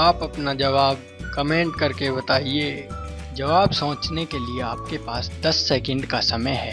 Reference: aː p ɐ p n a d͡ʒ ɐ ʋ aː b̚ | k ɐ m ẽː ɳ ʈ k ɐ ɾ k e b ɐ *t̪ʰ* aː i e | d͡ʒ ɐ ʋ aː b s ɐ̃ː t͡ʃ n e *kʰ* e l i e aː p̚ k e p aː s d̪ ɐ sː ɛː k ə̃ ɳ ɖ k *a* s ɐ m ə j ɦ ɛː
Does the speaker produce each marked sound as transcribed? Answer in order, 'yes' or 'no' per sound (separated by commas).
no, no, yes